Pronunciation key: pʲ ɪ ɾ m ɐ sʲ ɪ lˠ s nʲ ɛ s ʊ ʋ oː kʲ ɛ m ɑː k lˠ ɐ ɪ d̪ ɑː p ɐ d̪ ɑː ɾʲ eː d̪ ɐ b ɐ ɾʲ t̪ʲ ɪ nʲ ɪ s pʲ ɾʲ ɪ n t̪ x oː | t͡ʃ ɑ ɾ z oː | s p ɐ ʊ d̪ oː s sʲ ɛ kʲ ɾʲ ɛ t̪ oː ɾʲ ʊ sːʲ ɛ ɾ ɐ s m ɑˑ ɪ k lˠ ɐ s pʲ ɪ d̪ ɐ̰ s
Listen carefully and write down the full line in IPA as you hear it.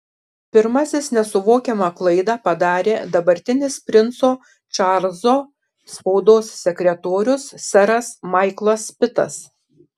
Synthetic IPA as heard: pʲ ɪ ɾ m ɐ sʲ ɪ s nʲ ɛ s ʊ ʋ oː kʲ ɛ m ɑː k lˠ ɐ ɪ d̪ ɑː p ɐ d̪ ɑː ɾʲ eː d̪ ɐ b ɐ ɾʲ t̪ʲ ɪ nʲ ɪ s pʲ ɾʲ ɪ n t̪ s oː | t͡ʃ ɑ ɾ z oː | s p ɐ ʊ d̪ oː s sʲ ɛ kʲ ɾʲ ɛ t̪ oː ɾʲ ʊ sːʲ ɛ ɾ ɐ s m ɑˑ ɪ k lˠ ɐ s pʲ ɪ t̪ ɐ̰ s

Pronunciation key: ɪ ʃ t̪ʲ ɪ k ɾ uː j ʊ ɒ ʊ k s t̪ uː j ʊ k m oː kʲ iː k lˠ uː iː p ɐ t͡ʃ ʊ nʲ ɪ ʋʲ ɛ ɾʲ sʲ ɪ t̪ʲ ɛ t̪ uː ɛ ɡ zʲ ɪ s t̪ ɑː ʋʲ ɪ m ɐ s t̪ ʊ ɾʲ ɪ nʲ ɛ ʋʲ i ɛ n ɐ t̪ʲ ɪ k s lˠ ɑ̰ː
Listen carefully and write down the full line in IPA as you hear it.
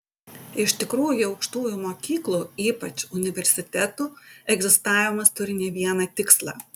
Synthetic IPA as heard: ɪ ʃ t̪ʲ ɪ k ɾ uː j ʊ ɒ ʊ k ʃ t̪ uː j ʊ m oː kʲ iː k lˠ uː iː p ɐ t͡ʃ ʊ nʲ ɪ ʋʲ ɛ ɾʲ sʲ ɪ t̪ʲ ɛ t̪ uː ɛ ɡ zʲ ɪ s t̪ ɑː ʋʲ ɪ m ɐ s t̪ ʊ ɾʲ ɪ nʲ ɛ ʋʲ i ɛ n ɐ t̪ʲ ɪ k s lˠ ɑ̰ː

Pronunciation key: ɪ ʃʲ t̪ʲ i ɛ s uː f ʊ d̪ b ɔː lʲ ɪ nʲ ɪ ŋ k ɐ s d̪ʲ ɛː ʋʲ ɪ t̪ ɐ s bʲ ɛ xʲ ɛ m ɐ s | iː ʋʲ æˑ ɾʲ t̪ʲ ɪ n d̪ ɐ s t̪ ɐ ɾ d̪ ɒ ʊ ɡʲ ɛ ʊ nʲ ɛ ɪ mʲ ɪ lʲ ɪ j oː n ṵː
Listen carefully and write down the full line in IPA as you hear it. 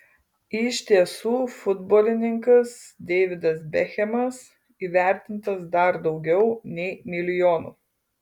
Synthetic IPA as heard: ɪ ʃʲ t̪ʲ i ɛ s uː f ʊ d̪ b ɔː lʲ ɪ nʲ ɪ ŋ k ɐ s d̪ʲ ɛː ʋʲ ɪ d̪ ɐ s bʲ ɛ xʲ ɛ m ɐ s | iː ʋʲ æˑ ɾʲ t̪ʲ ɪ n t̪ ɐ s d̪ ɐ ɾ d̪ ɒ ʊ ɡʲ ɛ ʊ nʲ ɛ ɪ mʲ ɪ lʲ ɪ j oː n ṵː

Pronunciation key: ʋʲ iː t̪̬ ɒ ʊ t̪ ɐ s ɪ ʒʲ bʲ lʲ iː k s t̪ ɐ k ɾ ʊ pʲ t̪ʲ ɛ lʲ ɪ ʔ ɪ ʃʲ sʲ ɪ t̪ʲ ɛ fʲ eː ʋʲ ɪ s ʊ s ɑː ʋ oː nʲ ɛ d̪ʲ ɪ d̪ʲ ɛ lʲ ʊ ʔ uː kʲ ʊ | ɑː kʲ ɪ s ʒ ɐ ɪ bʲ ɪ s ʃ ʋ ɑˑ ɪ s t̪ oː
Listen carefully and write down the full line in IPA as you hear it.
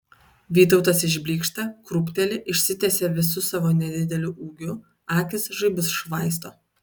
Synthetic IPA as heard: ʋʲ iː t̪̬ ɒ ʊ t̪ ɐ s ɪ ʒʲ bʲ lʲ iː k ʃ t̪ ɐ k ɾ ʊ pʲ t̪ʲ ɛ lʲ ɪ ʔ ɪ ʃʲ sʲ ɪ t̪ʲ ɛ sʲ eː ʋʲ ɪ s ʊ s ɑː ʋ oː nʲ ɛ d̪ʲ ɪ d̪ʲ ɛ lʲ ʊ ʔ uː ɡʲ ʊ | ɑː kʲ ɪ s ʒ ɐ ɪ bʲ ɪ s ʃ ʋ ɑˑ ɪ s t̪ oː

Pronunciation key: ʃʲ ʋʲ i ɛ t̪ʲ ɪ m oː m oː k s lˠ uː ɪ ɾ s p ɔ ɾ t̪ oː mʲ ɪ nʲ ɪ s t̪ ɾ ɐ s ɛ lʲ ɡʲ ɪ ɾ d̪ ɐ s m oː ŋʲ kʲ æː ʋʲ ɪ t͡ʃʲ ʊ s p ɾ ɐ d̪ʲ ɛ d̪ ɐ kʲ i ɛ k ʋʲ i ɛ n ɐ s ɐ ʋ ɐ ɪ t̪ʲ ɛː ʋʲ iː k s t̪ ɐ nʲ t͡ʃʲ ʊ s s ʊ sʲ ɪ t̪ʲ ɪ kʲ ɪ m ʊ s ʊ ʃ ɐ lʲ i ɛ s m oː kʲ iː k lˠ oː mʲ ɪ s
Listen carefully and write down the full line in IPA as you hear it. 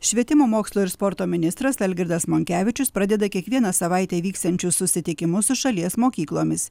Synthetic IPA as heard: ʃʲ ʋʲ i ɛ t̪ʲ ɪ m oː m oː k s lˠ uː ɪ ɾ s p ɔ ɾ t̪ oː mʲ ɪ nʲ ɪ s t̪ ɾ ɐ s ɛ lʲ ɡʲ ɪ ɾ d̪ ɐ s m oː ŋʲ kʲ æː ʋʲ ɪ t͡ʃʲ ʊ s p ɾ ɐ d̪ʲ ɛ d̪ ɐ kʲ i ɛ k ʋʲ i ɛ n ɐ s ɐ ʋ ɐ ɪ t̪ʲ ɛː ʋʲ iː k s t̪ ɐ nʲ t͡ʃʲ ʊ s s ʊ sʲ ɪ t̪ʲ ɪ kʲ ɪ m ʊ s ʊ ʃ ɐ lʲ i ɛ s m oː kʲ iː k lˠ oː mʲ ɪ s

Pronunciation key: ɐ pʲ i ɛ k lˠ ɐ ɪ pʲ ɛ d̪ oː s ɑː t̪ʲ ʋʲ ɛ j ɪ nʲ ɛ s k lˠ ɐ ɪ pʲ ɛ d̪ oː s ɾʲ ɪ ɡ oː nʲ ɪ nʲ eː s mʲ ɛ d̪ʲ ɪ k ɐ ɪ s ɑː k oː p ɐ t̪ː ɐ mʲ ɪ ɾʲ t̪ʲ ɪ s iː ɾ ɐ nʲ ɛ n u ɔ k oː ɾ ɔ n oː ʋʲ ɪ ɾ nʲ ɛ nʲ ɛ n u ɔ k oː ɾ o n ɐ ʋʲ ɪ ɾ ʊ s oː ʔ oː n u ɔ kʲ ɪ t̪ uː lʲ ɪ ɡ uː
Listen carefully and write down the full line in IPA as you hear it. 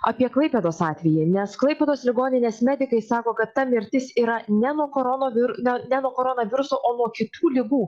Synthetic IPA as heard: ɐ pʲ i ɛ k lˠ ɐ ɪ pʲ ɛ d̪ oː s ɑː t̪ʲ ʋʲ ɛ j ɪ nʲ ɛ s k lˠ ɐ ɪ pʲ ɛ d̪ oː s lʲ ɪ ɡ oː nʲ ɪ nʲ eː s mʲ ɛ d̪ʲ ɪ k ɐ ɪ s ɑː k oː k ɐ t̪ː ɐ mʲ ɪ ɾʲ t̪ʲ ɪ s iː ɾ ɐ nʲ ɛ n u ɔ k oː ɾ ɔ n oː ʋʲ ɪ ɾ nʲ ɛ nʲ ɛ n u ɔ k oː ɾ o n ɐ ʋʲ ɪ ɾ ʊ s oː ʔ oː n u ɔ kʲ ɪ t̪ uː lʲ ɪ ɡ uː

